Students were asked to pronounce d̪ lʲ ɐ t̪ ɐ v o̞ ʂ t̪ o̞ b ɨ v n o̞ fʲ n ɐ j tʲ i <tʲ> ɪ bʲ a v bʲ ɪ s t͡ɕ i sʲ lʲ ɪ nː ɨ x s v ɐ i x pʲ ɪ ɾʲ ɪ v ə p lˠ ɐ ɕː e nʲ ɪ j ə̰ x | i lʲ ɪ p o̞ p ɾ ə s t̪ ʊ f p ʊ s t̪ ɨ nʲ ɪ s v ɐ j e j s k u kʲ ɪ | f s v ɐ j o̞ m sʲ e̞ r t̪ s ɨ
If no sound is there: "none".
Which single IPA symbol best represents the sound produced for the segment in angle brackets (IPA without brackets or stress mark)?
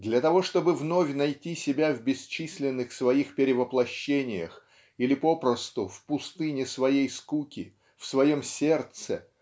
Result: sʲ